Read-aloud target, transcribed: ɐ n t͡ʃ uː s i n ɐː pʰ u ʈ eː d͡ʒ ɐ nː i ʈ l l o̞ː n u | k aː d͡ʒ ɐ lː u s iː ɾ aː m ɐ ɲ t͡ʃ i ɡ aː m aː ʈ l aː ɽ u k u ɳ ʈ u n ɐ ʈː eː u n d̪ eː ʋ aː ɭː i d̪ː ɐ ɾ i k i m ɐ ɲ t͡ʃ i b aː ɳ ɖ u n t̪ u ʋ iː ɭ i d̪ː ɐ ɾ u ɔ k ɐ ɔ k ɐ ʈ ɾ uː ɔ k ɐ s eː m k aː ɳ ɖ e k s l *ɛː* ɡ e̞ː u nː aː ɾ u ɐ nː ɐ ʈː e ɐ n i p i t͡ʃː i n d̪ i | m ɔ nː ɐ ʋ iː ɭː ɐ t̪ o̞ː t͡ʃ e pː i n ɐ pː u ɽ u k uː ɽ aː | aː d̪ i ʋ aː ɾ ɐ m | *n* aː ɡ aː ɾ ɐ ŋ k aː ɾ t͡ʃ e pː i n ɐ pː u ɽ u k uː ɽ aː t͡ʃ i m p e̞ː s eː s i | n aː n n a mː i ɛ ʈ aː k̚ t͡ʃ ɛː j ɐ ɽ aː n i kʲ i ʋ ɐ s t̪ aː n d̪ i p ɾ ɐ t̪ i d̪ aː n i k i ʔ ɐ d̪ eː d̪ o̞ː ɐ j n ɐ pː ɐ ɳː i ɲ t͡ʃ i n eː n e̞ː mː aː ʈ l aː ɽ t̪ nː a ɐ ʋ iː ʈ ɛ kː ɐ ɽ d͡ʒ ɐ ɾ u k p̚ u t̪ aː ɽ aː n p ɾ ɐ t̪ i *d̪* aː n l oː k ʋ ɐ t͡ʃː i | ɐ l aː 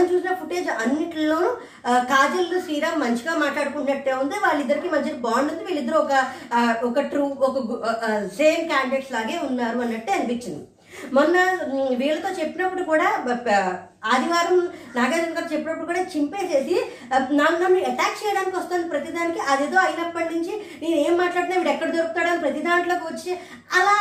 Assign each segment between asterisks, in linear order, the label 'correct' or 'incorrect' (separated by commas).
incorrect, correct, correct